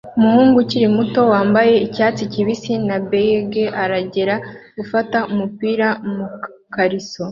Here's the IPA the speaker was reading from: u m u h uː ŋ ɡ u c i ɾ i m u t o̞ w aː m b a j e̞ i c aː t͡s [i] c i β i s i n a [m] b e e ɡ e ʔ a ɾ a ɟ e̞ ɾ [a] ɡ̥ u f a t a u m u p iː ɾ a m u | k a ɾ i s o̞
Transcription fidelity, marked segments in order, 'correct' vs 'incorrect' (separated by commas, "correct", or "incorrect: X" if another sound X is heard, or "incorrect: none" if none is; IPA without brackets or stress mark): correct, incorrect: none, correct